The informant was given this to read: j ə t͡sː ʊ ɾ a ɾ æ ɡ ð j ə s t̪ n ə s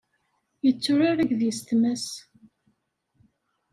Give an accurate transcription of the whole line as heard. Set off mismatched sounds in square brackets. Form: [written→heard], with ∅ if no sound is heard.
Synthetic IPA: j ə t͡sː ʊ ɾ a ɾ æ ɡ ð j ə s t̪ [n→m] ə s